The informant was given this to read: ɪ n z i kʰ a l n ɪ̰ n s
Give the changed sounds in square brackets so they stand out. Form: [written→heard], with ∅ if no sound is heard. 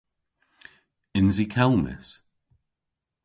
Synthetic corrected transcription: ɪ n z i kʰ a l [n→m] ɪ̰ [n→∅] s